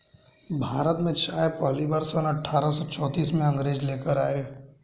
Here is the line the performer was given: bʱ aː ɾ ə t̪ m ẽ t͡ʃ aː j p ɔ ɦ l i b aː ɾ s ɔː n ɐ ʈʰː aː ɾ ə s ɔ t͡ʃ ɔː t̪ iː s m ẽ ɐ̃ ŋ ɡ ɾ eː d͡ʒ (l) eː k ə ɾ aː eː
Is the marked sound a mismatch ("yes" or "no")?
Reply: no